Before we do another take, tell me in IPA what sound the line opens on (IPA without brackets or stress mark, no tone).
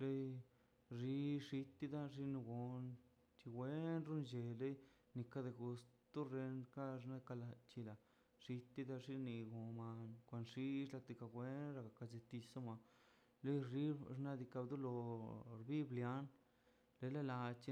l